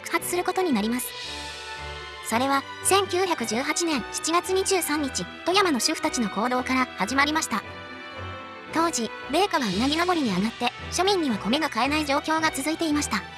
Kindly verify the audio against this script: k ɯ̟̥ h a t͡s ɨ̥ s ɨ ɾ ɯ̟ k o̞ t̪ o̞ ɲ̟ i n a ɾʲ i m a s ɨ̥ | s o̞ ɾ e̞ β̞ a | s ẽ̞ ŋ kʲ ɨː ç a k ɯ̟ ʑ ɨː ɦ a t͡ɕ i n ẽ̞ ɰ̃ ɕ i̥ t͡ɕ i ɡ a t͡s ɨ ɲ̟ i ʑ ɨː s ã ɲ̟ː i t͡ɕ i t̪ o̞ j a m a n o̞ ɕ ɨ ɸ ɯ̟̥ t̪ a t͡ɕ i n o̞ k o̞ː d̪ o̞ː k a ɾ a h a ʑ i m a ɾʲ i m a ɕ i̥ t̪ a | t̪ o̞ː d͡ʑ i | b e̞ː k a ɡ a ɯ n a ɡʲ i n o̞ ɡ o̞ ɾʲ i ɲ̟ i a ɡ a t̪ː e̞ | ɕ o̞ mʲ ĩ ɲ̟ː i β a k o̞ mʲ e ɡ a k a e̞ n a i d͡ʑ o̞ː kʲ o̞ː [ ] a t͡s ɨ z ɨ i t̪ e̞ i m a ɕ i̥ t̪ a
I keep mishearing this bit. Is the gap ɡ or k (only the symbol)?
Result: ɡ